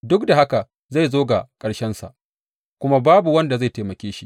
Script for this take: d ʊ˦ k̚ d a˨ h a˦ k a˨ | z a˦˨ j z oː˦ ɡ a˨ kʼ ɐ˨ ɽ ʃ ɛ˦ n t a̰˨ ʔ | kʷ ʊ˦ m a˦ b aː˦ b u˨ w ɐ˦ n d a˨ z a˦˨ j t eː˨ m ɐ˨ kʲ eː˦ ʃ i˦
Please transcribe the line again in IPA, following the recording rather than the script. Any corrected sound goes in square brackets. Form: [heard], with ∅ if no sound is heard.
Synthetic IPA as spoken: d ʊ˦ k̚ d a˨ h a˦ k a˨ | z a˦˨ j z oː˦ ɡ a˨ kʼ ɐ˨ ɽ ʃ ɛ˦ n [s] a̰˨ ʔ | kʷ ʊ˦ m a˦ b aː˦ b u˨ w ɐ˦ n d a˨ z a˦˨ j t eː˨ m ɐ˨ kʲ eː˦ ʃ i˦